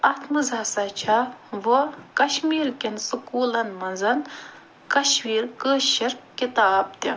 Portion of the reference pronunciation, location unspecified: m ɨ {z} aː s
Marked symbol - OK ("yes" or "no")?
yes